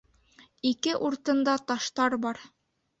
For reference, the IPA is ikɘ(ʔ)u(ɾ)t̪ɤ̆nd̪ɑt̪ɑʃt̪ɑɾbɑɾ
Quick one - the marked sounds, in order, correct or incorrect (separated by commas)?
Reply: correct, correct